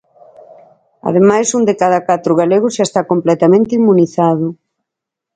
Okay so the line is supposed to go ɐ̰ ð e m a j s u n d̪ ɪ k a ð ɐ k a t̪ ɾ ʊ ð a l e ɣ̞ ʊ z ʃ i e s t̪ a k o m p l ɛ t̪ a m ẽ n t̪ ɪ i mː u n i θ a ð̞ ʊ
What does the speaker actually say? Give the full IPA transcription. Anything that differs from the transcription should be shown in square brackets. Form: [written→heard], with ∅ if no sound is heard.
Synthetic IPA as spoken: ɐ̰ ð e m a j s u n d̪ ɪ k a ð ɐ k a t̪ ɾ ʊ [ð→ɣ] a l e ɣ̞ ʊ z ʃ [i→a] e s t̪ a k o m p l ɛ t̪ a m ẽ n t̪ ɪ i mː u n i θ a ð̞ ʊ